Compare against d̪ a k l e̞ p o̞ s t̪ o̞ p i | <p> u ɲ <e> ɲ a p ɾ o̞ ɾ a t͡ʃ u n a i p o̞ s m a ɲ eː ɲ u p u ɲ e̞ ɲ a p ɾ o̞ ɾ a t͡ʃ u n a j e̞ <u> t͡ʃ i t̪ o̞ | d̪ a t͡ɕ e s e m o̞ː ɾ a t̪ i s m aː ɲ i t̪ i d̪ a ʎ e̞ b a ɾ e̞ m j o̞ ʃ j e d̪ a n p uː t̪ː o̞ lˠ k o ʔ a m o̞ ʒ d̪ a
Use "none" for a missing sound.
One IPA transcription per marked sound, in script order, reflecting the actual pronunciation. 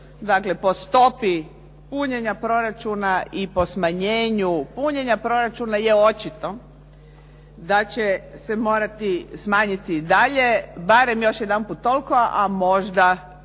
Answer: p, e, o

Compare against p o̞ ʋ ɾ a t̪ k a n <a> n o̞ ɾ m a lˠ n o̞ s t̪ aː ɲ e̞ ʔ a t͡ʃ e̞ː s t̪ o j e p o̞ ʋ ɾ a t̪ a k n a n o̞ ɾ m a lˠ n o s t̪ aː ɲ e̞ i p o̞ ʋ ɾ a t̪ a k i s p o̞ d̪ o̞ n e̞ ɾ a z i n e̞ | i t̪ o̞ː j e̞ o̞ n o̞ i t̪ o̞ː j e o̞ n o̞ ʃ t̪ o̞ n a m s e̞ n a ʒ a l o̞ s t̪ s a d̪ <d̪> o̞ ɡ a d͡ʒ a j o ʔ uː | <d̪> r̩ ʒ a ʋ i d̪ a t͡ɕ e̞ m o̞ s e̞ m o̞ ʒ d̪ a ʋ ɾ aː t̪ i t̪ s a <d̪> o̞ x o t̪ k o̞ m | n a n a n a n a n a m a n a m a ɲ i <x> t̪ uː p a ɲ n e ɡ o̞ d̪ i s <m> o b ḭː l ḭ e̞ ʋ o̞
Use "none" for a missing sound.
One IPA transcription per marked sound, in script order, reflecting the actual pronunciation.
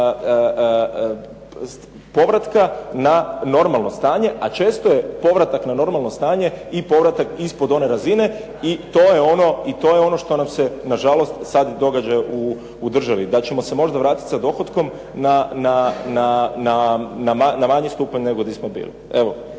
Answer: a, d̪, d̪, d̪, s, m

